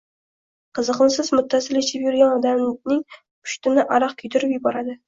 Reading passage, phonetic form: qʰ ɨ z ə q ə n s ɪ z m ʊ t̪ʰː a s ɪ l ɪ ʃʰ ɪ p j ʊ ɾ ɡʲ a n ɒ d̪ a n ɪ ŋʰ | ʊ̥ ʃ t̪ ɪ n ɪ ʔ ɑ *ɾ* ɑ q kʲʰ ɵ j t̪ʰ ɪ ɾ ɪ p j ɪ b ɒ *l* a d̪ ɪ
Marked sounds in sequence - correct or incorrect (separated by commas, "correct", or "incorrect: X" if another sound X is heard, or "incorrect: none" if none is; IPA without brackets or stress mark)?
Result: correct, incorrect: ɾ